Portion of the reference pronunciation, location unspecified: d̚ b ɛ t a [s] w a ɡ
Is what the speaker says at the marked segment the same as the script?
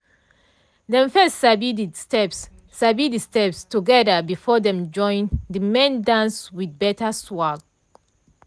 yes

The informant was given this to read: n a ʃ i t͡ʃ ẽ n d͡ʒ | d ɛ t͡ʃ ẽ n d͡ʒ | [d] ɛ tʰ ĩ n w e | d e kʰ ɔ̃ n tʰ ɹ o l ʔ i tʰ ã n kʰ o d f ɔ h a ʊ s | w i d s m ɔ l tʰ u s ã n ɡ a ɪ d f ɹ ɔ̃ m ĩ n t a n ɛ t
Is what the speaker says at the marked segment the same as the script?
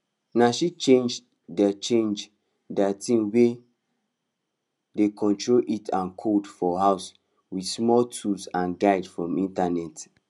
yes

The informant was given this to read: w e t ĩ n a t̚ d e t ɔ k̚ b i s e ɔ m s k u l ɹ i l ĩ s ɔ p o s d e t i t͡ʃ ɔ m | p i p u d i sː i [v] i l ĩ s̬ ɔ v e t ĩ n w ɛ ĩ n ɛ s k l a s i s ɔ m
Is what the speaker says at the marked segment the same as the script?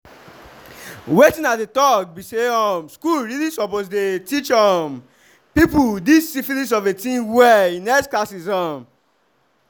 no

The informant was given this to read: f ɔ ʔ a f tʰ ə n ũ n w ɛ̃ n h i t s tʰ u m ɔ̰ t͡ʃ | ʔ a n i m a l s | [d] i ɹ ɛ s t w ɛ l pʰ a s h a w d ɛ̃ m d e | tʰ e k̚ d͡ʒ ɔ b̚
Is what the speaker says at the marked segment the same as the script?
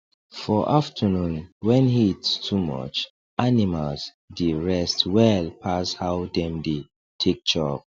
yes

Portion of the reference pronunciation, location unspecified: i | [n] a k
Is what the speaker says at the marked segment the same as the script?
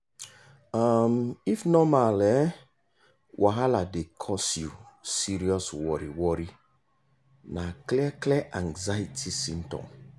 yes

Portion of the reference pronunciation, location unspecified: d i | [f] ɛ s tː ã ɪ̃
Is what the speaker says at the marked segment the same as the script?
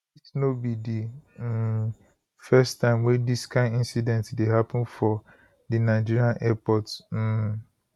yes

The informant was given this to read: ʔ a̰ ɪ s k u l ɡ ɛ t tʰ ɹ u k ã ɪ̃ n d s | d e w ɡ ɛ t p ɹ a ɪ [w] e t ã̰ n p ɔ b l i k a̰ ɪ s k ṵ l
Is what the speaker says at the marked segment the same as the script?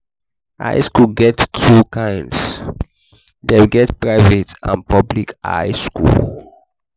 no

